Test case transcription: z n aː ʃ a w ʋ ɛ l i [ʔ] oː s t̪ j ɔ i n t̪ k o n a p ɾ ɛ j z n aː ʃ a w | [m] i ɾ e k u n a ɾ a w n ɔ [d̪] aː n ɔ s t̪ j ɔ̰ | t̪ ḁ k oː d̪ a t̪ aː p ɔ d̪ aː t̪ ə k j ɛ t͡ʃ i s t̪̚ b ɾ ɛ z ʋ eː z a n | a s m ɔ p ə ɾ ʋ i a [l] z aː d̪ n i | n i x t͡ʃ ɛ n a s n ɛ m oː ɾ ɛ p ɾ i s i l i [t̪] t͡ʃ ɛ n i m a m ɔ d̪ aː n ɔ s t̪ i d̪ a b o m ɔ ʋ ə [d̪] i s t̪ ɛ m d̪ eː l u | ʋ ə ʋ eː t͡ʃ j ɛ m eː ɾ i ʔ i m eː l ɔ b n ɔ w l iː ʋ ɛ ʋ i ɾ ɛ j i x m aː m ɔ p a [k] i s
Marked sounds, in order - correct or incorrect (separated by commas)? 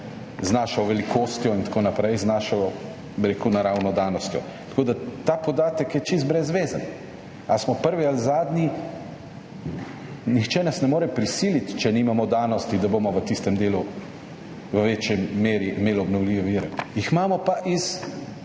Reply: incorrect, incorrect, correct, correct, correct, incorrect, incorrect